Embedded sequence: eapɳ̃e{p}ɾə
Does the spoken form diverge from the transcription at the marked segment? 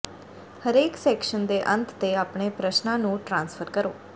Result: no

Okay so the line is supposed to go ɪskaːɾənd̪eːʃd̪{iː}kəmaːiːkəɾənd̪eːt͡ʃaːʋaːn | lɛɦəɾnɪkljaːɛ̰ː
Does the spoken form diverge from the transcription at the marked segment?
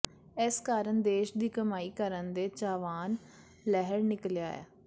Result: no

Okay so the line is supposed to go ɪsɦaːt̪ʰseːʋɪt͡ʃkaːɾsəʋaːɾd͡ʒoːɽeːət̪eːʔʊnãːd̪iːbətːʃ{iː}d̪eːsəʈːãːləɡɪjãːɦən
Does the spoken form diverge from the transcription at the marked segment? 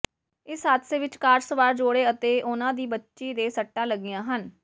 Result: no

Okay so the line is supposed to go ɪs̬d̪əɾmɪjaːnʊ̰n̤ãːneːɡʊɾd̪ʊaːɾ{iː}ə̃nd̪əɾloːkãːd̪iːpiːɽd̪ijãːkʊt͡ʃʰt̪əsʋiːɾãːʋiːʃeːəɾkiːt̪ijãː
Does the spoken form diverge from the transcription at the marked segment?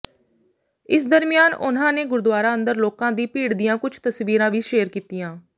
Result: yes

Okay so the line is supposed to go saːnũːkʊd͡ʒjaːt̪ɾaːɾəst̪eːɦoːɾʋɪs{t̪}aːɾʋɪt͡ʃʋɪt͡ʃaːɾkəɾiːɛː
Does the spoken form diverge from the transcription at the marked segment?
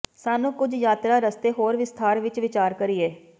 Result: yes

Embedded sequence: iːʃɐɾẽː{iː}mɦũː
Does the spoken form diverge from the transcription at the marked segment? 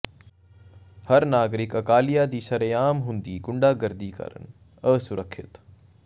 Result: yes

